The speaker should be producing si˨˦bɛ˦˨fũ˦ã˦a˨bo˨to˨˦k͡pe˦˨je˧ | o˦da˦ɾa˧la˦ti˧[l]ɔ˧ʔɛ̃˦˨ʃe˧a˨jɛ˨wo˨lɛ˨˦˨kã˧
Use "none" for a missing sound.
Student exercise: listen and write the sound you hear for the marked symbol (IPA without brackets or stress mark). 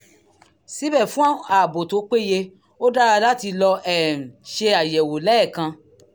l